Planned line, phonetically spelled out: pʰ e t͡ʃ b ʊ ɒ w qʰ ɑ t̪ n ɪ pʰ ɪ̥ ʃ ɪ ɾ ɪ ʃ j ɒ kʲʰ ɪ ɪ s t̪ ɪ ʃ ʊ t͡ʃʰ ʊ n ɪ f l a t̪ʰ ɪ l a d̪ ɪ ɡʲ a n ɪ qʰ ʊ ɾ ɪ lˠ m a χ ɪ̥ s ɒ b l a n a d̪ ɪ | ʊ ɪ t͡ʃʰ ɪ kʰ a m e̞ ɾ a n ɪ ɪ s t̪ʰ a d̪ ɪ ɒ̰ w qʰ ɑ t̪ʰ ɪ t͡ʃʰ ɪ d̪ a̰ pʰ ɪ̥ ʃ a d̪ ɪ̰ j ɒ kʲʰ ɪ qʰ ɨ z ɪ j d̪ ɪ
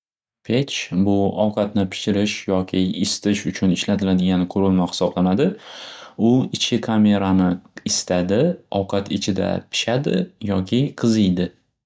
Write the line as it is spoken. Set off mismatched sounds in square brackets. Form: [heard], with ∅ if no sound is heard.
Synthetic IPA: pʰ e t͡ʃ b ʊ ɒ w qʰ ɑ t̪ n ɪ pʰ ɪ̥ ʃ ɪ ɾ ɪ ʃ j ɒ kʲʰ ɪ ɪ s t̪ ɪ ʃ ʊ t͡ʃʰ ʊ n ɪ [ʃ] l a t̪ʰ ɪ l a d̪ ɪ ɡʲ a n ɪ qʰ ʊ ɾ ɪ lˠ m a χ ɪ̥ s ɒ b l a n a d̪ ɪ | ʊ ɪ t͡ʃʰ ɪ kʰ a m e̞ ɾ a n ɪ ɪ s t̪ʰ a d̪ ɪ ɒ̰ w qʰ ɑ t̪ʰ ɪ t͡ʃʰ ɪ d̪ a̰ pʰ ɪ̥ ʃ a d̪ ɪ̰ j ɒ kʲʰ ɪ qʰ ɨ z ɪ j d̪ ɪ